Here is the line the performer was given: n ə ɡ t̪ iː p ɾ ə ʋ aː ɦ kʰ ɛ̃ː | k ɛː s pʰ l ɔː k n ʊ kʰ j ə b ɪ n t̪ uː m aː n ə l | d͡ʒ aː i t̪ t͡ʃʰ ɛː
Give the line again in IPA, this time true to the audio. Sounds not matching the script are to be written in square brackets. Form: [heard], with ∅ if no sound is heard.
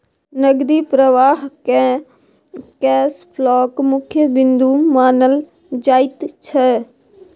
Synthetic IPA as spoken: n ə ɡ [d̪] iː p ɾ ə ʋ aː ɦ [k] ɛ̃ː | k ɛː s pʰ l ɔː k [m] ʊ kʰ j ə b ɪ n [d̪] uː m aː n ə l | d͡ʒ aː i t̪ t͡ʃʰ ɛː